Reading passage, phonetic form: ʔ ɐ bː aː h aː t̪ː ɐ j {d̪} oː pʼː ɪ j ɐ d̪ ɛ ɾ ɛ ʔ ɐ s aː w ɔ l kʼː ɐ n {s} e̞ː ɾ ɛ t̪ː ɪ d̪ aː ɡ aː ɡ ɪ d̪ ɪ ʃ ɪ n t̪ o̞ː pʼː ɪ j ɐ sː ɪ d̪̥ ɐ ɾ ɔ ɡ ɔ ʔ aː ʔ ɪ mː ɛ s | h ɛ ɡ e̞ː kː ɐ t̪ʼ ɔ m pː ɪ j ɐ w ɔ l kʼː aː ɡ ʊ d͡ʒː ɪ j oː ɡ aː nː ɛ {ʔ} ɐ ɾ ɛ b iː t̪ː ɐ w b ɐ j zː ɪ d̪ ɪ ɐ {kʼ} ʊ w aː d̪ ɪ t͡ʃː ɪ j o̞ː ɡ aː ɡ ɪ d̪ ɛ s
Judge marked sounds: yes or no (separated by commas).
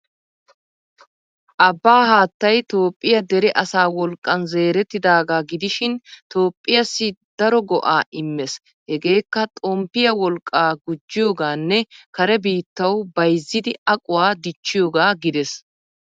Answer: no, no, no, yes